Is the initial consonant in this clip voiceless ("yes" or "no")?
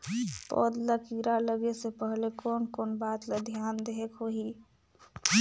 yes